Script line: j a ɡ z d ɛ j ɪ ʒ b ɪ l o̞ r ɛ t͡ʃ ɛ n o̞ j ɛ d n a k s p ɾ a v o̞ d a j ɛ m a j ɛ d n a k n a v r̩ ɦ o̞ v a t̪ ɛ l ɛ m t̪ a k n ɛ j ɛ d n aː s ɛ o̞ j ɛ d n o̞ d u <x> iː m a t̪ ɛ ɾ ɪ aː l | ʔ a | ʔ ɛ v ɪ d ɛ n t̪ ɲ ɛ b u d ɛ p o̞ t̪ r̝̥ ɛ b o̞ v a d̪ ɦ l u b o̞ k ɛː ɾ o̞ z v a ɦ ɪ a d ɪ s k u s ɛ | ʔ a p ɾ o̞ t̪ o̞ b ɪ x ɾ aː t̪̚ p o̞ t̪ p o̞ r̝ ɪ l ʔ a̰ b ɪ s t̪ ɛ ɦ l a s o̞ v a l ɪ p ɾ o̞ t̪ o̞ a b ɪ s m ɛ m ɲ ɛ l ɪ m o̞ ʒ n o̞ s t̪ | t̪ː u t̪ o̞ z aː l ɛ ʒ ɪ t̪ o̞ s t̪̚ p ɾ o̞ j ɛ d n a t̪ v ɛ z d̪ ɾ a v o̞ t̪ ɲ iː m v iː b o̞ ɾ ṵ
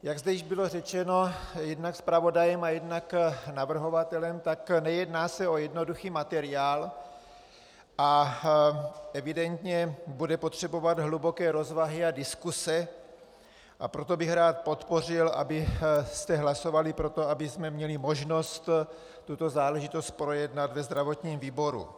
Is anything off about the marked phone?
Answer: no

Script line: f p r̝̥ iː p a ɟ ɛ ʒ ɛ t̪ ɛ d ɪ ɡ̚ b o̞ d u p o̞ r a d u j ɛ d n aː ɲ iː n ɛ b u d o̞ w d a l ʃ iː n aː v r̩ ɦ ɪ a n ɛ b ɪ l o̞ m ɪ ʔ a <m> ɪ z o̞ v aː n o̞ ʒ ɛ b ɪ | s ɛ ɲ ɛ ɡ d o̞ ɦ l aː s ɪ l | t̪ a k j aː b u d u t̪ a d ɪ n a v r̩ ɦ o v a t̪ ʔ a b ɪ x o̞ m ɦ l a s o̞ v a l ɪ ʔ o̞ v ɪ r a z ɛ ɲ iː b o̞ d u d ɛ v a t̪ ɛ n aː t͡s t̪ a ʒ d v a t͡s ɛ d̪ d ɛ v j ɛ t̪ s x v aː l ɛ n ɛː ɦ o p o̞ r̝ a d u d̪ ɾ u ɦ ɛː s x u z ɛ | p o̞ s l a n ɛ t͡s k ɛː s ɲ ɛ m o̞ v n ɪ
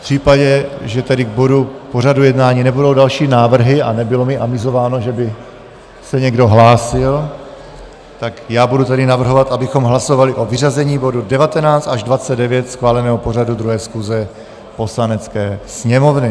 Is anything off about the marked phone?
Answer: no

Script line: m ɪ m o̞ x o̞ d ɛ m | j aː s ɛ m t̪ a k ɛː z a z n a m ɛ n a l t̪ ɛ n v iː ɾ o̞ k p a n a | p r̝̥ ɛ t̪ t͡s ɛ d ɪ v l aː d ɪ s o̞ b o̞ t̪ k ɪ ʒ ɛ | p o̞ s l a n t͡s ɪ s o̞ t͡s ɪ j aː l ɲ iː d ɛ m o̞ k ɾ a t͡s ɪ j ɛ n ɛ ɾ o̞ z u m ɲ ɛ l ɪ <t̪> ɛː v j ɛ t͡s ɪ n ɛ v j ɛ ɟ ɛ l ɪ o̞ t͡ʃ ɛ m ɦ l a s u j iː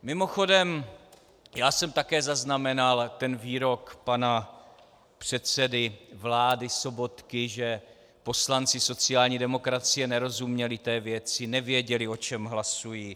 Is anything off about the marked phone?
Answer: no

